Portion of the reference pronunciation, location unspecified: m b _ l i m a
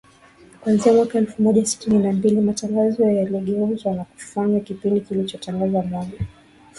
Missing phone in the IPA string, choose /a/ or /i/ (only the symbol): i